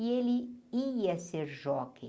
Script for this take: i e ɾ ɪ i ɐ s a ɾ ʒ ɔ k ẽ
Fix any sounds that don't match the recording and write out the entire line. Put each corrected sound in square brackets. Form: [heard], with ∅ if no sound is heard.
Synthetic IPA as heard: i e [l] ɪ i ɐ s [e] ɾ ʒ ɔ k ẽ